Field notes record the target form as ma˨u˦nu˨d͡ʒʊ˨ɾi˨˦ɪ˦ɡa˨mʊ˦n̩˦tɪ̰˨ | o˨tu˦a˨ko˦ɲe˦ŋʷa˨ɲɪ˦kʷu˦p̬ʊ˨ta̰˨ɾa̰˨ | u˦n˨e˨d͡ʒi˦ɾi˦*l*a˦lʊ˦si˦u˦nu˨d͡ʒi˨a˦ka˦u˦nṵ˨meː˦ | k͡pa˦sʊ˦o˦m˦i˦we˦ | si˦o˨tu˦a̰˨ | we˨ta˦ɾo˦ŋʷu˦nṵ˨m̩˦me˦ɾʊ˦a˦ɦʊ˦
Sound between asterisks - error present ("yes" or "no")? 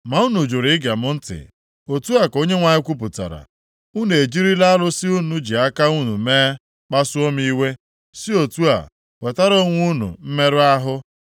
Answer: no